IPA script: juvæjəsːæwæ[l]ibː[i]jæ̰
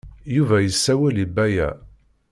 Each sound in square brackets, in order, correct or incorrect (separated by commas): correct, incorrect